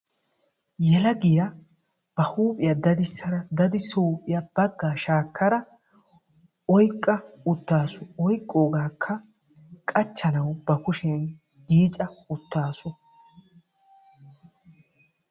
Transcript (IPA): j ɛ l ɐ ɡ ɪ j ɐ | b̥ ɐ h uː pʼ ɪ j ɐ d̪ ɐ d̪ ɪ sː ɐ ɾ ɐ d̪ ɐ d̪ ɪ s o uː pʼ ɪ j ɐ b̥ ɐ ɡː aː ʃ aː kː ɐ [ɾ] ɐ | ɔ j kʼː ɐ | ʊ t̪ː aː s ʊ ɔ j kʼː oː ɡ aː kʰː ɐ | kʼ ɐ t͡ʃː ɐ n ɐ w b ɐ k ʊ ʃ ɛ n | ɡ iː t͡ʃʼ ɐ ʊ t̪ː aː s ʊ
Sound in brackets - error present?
no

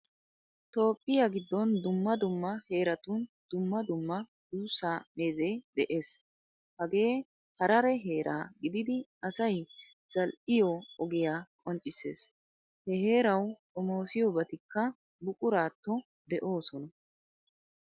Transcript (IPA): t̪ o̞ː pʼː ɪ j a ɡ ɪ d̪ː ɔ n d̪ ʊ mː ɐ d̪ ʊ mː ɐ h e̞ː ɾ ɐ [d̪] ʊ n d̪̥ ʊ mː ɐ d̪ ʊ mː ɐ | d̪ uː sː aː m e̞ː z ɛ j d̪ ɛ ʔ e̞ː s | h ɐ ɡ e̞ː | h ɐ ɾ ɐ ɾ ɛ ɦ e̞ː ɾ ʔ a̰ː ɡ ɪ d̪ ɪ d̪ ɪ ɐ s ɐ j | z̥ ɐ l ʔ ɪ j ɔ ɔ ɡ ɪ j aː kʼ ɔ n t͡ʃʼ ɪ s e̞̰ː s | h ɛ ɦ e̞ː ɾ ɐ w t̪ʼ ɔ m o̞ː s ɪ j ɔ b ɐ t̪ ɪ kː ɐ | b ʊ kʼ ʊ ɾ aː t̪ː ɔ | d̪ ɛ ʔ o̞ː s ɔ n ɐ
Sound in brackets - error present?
yes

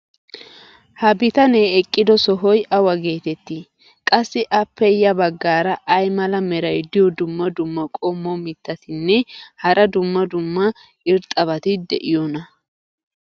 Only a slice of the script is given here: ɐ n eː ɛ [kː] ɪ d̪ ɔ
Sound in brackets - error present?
yes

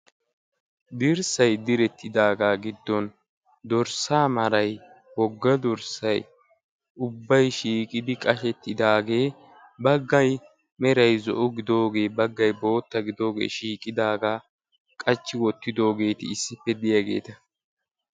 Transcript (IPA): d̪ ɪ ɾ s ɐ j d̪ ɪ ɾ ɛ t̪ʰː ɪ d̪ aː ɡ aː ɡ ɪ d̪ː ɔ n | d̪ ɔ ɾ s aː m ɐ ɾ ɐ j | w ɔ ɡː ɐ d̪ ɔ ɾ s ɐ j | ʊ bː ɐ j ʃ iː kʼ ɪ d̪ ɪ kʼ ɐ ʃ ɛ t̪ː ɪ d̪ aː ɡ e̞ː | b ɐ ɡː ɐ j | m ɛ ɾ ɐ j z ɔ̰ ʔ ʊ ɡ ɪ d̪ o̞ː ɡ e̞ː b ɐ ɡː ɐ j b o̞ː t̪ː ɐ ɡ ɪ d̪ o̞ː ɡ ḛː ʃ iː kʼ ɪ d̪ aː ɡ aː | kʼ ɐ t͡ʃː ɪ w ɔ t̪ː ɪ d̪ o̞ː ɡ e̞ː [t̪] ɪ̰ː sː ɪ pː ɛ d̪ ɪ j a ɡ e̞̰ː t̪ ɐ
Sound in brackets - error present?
no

